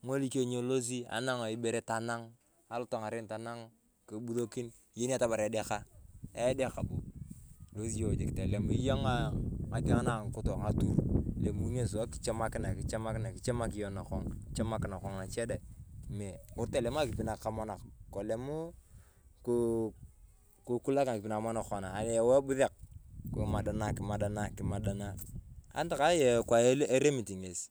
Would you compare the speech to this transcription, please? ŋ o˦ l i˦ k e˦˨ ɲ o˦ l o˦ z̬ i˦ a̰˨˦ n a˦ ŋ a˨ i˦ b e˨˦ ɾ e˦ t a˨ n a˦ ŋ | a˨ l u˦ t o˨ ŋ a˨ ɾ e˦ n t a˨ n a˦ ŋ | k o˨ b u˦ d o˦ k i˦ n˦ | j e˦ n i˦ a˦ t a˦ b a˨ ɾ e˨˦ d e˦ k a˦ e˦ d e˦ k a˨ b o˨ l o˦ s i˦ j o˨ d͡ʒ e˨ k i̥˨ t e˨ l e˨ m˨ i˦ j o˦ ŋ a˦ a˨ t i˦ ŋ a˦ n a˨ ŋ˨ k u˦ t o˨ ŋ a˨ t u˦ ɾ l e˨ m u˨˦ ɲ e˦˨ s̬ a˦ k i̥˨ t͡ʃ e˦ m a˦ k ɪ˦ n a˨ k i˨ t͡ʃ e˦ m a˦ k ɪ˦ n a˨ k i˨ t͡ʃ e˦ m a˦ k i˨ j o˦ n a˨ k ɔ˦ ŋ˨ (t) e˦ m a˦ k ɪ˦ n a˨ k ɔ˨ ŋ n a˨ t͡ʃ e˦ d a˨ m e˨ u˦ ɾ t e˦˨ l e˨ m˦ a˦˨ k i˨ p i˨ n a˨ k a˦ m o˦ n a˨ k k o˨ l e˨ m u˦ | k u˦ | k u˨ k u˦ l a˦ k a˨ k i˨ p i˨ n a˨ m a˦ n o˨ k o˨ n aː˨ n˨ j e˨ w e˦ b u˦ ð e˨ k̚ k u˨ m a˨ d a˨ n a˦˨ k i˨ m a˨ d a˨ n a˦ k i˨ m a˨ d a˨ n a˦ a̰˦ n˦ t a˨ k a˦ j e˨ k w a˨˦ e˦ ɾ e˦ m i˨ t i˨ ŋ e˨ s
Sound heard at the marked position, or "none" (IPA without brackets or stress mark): t͡ʃ